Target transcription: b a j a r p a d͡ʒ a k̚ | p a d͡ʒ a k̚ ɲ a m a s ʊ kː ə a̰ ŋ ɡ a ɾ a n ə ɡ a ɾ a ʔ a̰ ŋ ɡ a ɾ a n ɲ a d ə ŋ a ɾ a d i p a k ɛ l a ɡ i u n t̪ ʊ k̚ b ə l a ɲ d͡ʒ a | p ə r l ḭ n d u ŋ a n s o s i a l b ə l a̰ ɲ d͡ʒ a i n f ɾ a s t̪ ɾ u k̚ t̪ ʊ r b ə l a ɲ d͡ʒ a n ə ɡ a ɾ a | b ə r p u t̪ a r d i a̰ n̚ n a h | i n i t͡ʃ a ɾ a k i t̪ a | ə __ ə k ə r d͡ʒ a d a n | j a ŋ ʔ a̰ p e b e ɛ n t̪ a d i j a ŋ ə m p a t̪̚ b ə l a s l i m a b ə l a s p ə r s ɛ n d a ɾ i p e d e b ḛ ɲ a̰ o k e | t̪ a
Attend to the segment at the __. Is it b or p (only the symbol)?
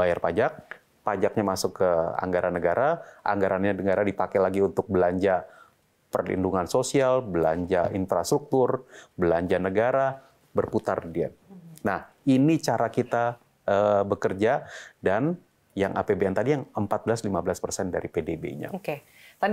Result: b